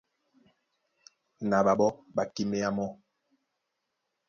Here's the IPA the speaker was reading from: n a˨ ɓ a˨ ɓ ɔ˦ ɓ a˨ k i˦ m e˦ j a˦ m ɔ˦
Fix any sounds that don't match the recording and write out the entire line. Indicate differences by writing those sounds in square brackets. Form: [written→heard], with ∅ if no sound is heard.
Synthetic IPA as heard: n a˨ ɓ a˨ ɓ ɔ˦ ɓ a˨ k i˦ m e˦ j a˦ m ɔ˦